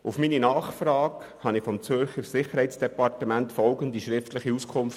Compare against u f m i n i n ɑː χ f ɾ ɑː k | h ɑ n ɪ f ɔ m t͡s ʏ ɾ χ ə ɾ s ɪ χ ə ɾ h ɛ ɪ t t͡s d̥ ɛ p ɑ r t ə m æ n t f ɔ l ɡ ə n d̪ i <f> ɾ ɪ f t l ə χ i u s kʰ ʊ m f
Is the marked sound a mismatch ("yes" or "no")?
yes